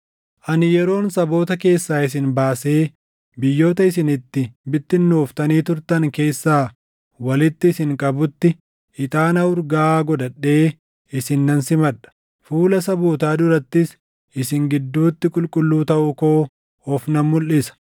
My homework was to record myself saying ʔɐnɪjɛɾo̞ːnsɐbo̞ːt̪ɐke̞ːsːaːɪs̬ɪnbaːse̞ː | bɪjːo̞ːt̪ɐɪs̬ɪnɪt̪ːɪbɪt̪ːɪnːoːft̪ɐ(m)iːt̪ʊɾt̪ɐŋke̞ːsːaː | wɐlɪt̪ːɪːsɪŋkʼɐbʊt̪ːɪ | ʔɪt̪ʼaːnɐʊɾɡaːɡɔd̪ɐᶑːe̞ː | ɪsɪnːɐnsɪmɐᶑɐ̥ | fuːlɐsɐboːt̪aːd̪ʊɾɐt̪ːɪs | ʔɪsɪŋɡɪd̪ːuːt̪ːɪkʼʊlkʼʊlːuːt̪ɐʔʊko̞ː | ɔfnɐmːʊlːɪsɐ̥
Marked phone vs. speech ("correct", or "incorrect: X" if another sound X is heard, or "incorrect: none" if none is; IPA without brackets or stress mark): incorrect: n